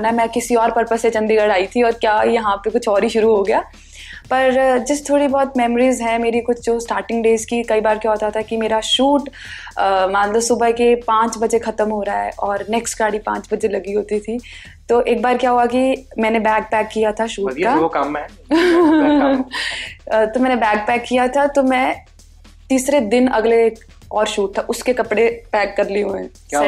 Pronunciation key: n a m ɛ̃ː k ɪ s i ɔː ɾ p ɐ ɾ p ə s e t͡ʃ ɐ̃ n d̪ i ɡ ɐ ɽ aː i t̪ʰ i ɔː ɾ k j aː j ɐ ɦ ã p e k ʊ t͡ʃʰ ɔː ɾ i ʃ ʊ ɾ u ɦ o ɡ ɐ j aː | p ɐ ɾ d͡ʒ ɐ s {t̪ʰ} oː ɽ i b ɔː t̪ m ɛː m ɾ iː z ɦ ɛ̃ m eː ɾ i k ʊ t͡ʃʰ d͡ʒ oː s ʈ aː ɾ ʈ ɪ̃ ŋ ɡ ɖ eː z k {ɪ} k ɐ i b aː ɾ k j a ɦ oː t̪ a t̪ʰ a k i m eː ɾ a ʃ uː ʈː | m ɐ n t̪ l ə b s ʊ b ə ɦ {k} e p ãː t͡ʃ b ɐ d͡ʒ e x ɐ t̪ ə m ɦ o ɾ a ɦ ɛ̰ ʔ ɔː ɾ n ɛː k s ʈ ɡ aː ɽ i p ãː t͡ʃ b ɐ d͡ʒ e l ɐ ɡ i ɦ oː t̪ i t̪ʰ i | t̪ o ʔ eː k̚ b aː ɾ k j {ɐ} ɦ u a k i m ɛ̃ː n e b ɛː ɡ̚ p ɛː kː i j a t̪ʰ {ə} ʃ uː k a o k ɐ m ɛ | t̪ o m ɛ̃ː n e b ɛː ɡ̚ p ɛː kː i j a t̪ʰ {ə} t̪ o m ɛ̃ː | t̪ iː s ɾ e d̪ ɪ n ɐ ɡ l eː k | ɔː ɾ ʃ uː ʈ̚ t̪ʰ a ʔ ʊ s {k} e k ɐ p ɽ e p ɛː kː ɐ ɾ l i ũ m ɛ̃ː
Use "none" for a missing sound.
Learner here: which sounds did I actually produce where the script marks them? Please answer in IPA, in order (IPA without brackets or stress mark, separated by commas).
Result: t̪ʰ, i, k, a, a, a, k